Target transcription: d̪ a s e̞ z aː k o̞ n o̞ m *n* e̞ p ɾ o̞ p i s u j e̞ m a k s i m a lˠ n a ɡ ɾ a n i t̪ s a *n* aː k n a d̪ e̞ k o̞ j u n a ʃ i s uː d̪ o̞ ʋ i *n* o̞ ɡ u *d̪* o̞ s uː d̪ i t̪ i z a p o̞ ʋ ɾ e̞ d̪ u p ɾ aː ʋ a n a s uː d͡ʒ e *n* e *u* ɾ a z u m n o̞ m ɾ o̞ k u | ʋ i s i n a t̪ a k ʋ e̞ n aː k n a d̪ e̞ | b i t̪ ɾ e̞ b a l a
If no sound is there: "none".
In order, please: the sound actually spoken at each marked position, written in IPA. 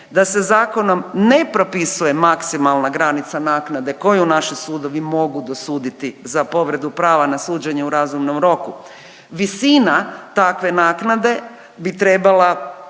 n, n, m, d̪, ɲ, u

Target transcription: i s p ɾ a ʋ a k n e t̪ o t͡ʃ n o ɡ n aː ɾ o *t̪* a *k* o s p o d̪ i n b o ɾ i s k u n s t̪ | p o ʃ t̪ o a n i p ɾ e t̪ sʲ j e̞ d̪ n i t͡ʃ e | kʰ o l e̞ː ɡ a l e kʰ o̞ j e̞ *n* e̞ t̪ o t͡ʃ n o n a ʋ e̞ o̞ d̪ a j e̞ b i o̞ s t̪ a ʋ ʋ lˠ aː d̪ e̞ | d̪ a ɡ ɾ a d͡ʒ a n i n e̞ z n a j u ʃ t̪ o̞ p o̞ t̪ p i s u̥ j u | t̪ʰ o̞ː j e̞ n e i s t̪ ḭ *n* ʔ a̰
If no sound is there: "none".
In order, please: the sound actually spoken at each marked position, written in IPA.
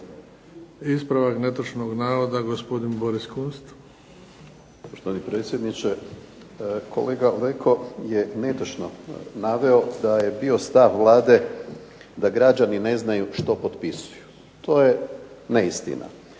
d̪, ɡ, n, n

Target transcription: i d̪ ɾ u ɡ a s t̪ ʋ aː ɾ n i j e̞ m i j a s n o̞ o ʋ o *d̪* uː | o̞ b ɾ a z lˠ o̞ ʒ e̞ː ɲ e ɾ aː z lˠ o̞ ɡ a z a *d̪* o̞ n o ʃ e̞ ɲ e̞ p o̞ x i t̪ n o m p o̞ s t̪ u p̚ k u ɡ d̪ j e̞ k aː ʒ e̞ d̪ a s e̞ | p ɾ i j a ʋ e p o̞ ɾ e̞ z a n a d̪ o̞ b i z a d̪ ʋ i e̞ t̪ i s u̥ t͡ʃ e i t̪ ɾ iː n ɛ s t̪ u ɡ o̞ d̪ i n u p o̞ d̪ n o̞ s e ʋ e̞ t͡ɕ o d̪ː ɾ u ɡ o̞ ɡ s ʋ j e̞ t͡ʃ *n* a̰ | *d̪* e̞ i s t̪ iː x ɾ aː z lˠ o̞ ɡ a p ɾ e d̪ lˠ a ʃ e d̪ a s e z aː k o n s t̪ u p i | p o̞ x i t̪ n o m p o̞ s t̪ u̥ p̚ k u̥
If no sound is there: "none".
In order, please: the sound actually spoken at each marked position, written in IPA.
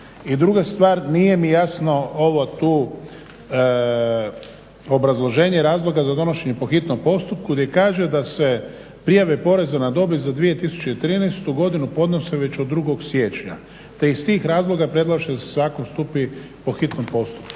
t̪, d̪, ɲ, t̪

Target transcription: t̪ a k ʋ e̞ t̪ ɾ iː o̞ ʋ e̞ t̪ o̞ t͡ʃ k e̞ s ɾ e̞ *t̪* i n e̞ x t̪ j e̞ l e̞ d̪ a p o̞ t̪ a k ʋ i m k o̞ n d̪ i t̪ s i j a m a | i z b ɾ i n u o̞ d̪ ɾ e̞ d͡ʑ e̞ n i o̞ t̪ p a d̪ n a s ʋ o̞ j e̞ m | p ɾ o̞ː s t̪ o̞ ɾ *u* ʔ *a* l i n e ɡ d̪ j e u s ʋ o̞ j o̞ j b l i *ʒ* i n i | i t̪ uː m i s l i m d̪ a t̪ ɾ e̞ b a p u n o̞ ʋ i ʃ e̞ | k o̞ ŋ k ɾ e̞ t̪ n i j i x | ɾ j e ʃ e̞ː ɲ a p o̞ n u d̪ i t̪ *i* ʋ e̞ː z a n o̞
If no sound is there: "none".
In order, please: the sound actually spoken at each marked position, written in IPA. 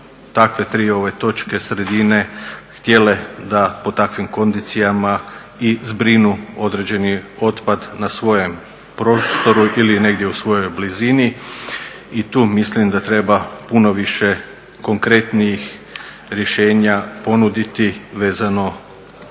d̪, u, i, z, i

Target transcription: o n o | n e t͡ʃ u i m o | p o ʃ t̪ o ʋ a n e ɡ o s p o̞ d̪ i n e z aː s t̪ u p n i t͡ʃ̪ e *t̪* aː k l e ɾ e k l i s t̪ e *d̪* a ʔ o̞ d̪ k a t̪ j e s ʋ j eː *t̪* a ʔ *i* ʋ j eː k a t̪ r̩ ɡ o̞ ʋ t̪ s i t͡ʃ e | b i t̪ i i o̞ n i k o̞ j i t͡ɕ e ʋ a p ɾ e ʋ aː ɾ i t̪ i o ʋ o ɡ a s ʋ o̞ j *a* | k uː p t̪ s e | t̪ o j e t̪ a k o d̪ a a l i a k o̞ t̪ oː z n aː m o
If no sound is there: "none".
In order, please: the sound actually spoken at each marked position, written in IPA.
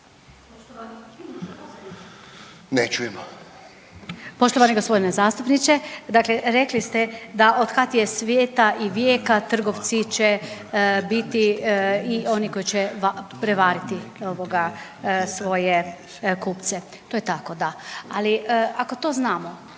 d̪, d̪, t̪, i, e

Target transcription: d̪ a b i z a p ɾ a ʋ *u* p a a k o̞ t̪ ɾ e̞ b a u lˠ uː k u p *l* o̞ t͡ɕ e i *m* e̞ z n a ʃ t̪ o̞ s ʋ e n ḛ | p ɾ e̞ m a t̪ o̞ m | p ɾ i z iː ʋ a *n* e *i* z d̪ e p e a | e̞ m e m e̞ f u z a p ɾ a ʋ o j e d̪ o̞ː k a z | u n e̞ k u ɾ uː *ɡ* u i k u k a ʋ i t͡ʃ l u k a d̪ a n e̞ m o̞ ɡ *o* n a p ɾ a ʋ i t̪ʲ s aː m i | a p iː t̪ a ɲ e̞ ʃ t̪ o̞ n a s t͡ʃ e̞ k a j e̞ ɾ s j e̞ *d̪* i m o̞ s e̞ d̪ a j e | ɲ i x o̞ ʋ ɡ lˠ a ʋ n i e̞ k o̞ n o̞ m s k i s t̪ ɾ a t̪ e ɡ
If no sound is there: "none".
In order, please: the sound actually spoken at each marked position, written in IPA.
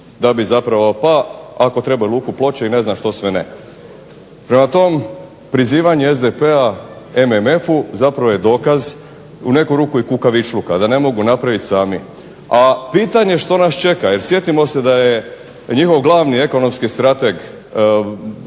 o, l, n, ɲ, e, k, u, t̪

